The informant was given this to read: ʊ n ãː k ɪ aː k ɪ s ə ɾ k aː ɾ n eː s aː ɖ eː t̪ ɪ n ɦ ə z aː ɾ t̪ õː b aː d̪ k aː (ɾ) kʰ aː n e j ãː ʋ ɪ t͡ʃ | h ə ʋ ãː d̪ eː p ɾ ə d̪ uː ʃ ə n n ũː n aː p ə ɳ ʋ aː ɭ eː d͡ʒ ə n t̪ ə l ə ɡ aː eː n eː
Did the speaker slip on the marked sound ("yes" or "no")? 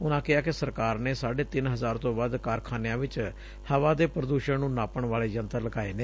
no